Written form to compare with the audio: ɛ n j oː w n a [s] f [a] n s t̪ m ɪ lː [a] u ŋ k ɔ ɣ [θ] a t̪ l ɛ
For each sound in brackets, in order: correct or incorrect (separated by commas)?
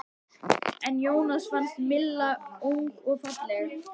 correct, correct, correct, incorrect